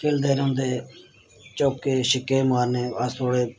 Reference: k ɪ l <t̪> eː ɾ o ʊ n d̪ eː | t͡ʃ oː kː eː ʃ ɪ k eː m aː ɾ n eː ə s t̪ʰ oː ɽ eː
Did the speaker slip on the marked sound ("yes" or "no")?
yes